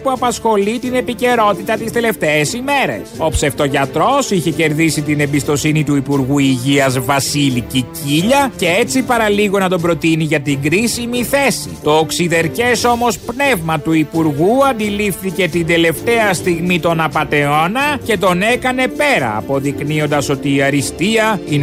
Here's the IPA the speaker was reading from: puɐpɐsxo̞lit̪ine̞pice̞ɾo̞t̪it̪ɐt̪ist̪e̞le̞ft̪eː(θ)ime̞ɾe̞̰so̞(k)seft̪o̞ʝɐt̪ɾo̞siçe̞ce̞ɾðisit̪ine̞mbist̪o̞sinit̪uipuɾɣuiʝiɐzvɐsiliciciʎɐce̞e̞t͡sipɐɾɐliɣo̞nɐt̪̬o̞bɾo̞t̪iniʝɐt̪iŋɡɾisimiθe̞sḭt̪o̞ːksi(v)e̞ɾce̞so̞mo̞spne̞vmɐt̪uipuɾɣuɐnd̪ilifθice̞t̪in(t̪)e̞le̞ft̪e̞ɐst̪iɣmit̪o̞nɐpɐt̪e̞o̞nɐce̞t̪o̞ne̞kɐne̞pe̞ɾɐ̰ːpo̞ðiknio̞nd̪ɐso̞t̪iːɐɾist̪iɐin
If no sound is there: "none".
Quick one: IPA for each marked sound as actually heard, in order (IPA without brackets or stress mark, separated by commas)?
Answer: s, p, ð, d̪